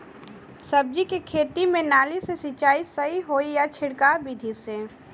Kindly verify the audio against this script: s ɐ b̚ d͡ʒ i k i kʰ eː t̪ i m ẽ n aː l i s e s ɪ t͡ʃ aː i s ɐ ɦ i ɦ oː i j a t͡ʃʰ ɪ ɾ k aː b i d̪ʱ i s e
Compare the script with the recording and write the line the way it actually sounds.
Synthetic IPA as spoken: s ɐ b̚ d͡ʒ i k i kʰ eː t̪ i m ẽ n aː l i s e s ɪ t͡ʃ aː i s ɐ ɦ i ɦ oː i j a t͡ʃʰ ɪ ɽ k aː b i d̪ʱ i s e